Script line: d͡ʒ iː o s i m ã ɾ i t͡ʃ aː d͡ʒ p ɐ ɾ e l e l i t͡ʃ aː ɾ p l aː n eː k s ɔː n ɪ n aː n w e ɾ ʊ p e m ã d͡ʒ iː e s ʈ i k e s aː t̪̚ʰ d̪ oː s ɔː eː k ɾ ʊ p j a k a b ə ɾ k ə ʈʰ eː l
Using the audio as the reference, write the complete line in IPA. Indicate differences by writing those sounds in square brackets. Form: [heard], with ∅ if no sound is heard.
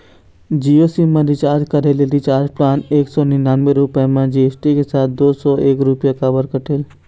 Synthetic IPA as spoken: d͡ʒ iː o s i m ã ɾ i t͡ʃ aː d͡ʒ [k] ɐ ɾ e l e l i t͡ʃ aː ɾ p l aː n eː k s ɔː n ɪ n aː n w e ɾ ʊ p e m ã d͡ʒ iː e s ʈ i k e s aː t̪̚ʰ d̪ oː s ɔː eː k ɾ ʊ p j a k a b ə ɾ k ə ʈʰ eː l